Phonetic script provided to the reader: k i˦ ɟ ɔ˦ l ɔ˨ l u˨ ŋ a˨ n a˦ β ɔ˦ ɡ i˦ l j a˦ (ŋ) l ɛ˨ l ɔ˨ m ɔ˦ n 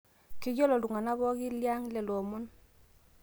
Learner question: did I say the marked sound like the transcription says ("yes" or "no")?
yes